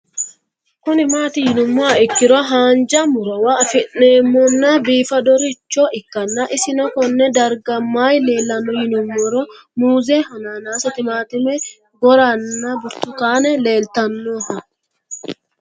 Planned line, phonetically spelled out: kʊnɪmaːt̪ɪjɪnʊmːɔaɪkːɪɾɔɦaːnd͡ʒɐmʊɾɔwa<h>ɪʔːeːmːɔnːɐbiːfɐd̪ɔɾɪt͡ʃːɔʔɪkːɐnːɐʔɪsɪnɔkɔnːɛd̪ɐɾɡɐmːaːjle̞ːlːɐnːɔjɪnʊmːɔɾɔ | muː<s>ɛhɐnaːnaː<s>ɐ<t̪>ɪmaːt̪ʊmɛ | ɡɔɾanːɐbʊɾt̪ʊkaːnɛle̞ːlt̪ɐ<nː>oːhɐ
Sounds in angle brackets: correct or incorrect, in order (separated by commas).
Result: incorrect, incorrect, correct, correct, correct